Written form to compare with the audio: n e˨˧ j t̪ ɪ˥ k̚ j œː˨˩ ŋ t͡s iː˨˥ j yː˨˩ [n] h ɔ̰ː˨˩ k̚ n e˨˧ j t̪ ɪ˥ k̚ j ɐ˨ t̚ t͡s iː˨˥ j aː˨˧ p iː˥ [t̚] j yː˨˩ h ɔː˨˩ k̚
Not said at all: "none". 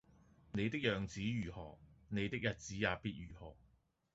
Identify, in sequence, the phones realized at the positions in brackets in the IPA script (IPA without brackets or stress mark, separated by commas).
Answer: none, t̚